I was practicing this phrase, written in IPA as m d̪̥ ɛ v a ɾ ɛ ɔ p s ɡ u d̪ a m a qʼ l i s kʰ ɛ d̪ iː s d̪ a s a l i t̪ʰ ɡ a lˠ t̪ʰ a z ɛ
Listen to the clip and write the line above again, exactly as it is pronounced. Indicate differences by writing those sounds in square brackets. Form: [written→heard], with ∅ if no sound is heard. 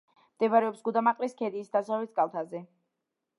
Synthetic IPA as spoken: m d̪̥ ɛ v a ɾ ɛ ɔ p s ɡ u d̪ a m a qʼ l i s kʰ ɛ d̪ iː s d̪ a s a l i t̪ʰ ɡ a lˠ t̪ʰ a z ɛ